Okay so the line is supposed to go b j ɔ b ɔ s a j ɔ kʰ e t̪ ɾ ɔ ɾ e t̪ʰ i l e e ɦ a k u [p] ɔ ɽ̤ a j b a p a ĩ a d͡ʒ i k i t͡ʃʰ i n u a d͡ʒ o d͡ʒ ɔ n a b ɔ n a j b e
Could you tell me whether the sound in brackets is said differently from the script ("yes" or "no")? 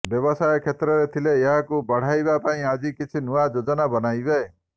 yes